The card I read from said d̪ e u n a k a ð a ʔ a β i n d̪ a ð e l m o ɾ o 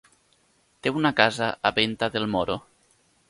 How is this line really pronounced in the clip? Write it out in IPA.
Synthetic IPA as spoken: t̪ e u n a k a z a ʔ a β e n t̪ a ð e l m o ɾ o

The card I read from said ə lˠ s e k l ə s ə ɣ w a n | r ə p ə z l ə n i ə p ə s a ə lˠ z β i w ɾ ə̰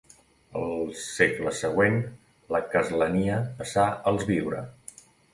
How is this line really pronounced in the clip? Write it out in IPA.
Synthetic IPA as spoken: ə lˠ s e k l ə s ə ɣ w e n | l ə k ə z l ə n i ə p ə s a ə lˠ z β i w ɾ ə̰

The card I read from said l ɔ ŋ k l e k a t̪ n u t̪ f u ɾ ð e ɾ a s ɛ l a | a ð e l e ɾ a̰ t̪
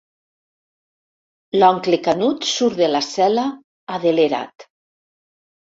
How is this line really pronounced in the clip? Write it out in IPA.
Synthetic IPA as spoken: l ɔ ŋ k l e k a n u t̪ s u ɾ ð e l a s ɛ l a | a ð e l e ɾ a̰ t̪

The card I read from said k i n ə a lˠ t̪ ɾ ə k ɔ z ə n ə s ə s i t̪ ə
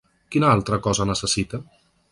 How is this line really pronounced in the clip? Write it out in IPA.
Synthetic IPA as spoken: k i n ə a lˠ t̪ ɾ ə k ɔ z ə n ə s ə s i t̪ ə

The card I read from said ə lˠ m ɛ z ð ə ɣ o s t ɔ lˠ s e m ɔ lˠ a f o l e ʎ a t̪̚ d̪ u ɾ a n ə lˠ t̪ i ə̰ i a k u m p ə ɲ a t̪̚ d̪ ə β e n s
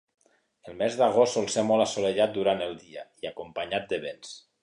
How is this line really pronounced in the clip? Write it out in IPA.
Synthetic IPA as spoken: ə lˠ m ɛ z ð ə ɣ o s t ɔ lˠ s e m ɔ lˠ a s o l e ʎ a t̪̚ d̪ u ɾ a n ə lˠ d̪ i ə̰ i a k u m p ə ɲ a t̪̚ d̪ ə β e n s

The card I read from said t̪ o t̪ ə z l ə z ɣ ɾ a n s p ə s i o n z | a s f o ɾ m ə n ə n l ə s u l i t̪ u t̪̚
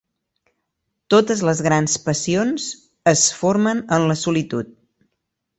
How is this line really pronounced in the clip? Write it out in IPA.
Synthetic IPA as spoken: t̪ o t̪ ə z l ə z ɣ ɾ a n s p ə s i o n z | ə s f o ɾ m ə n ə n l ə s u l i t̪ u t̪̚

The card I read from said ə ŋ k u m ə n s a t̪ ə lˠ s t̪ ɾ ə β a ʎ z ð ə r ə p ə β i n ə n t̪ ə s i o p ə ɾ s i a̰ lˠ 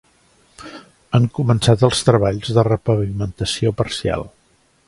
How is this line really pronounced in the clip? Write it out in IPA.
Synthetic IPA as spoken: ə ŋ k u m ə n s a t̪ ə lˠ s t̪ ɾ ə β a ʎ z ð ə r ə p ə β i m ə n t̪ ə s i o p ə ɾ s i a̰ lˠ

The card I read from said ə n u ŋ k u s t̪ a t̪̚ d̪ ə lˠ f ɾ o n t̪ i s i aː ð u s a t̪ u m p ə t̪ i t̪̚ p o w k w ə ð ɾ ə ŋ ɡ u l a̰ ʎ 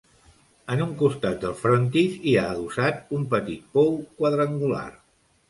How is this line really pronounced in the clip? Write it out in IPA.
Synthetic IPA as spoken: ə n u ŋ k u s t̪ a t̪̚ d̪ ə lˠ f ɾ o n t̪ i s i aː ð u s a t̪ u m p ə t̪ i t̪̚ p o w k w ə ð ɾ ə ŋ ɡ u l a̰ r

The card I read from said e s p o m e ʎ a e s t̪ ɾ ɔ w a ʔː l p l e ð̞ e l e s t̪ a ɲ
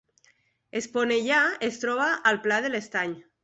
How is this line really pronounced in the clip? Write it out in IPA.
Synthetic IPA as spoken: e s p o n e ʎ a e s t̪ ɾ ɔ β a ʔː l p l a ð̞ e l e s t̪ a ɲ

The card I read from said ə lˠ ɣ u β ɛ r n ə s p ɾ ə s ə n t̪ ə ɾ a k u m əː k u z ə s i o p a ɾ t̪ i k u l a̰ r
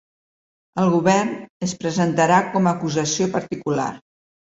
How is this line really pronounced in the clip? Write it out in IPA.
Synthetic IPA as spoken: ə lˠ ɣ u β ɛ r n ə s p ɾ ə z ə n t̪ ə ɾ a k ɔ m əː k u z ə s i o p ə ɾ t̪ i k u l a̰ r

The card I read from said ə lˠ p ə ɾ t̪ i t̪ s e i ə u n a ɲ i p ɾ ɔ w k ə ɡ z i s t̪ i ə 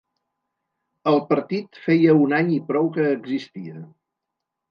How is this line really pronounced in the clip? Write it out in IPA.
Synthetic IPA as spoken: ə lˠ p ə ɾ t̪ i t̪ f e j ə u n a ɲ i p ɾ ɔ w k əː ɡ z i s t̪ i ə

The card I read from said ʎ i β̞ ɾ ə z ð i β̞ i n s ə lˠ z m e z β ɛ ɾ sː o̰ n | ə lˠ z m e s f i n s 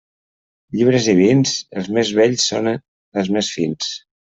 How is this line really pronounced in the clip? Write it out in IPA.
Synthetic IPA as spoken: ʎ i β̞ ɾ ə z ð i β̞ i n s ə lˠ z m e z β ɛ ʎ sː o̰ n | ə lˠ z m e s f i n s

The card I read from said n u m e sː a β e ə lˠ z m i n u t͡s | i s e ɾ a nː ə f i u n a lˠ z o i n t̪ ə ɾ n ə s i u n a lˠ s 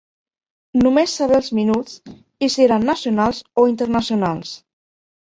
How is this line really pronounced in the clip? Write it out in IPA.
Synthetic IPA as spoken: n u m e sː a β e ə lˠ z m i n u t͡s | i s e ɾ a nː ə s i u n a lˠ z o i n t̪ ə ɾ n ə s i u n a lˠ s

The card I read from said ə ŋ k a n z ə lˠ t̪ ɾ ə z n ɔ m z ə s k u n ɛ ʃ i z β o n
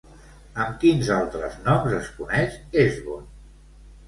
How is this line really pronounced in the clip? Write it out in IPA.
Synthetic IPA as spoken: ə m k i n z a lˠ t̪ ɾ ə z n ɔ m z ə s k u n ɛ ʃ e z β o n

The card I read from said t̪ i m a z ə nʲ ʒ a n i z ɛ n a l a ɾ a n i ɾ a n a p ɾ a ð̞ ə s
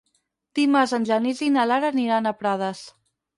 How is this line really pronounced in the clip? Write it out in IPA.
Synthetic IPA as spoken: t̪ i m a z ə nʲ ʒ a n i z i n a l a ɾ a n i ɾ a n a p ɾ a ð̞ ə s

